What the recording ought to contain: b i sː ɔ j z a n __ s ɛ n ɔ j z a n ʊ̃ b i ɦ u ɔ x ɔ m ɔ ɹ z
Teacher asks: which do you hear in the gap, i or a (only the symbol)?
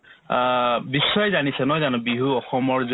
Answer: i